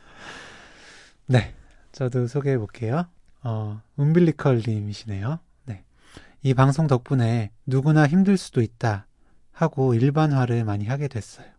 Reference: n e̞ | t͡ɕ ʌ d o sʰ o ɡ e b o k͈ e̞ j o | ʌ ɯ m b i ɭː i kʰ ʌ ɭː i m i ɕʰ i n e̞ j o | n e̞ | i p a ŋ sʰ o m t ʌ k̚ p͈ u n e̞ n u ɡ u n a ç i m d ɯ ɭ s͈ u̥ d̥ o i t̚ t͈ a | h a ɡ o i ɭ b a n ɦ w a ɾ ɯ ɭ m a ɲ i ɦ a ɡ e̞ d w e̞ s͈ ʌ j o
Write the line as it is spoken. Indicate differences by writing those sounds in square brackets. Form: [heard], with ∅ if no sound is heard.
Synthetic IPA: n e̞ | t͡ɕ ʌ d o sʰ o ɡ e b o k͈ e̞ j o | ʌ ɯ m b i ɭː i kʰ ʌ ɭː i m i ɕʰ i n e̞ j o | n e̞ | i p a ŋ sʰ o [ŋ] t ʌ k̚ p͈ u n e̞ n u ɡ u n a ç i m d ɯ ɭ s͈ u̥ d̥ o i t̚ t͈ a | h a ɡ o i ɭ b a n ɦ w a ɾ ɯ ɭ m a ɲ i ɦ a ɡ e̞ d w e̞ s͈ ʌ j o